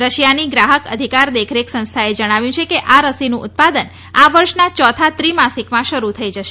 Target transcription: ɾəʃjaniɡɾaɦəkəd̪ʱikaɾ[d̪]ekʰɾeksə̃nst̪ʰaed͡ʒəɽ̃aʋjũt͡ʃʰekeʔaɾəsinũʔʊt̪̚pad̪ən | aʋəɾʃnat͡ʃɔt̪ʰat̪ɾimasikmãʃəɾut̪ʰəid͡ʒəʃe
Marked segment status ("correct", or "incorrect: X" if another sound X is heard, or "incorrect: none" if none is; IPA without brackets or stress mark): correct